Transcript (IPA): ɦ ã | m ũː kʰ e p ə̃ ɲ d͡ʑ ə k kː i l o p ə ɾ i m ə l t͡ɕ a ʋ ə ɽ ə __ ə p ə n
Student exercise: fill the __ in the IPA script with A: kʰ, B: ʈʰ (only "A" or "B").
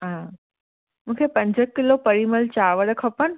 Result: A